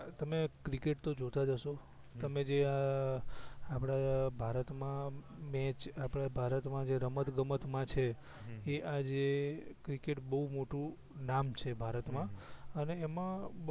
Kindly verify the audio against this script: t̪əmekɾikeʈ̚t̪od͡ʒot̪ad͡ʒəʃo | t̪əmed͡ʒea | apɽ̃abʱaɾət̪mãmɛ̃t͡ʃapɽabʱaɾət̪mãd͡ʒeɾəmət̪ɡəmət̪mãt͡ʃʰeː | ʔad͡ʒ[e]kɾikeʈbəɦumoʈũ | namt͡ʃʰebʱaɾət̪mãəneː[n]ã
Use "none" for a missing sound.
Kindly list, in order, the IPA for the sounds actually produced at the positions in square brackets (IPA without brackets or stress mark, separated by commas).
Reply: e, m